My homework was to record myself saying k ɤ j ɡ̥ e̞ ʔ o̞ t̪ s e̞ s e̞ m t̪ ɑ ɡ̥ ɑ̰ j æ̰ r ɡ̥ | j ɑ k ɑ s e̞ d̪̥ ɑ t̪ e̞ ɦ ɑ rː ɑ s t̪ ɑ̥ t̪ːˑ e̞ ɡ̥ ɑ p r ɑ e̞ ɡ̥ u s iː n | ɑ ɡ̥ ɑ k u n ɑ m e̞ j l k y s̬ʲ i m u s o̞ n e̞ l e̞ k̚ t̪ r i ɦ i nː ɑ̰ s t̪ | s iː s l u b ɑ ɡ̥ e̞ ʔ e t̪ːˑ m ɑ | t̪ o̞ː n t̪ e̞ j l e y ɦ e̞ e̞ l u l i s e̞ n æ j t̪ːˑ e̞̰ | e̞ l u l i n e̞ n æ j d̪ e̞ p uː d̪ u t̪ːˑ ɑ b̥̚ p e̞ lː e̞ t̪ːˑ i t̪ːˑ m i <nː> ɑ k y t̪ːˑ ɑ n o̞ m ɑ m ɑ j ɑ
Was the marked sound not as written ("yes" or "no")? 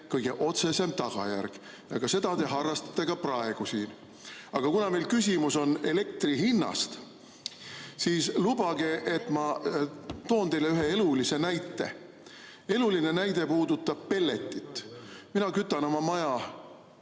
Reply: yes